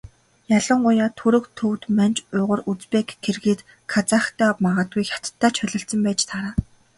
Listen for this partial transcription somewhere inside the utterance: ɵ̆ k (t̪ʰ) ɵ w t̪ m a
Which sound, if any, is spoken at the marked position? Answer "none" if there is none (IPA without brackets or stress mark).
t̪ʰ